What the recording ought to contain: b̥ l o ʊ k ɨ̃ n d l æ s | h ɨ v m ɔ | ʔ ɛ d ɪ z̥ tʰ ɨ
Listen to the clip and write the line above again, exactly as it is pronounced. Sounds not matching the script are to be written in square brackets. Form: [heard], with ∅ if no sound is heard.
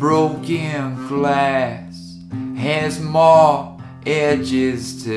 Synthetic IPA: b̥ [ɹ] o ʊ k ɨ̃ n [ɡ] l æ s | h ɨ [z] m ɔ | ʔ ɛ [d͡ʒ] ɪ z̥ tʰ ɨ